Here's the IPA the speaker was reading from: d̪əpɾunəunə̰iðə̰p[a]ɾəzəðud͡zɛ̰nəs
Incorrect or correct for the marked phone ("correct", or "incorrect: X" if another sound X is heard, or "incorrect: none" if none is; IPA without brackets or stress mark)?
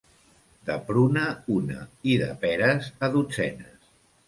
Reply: incorrect: ɛ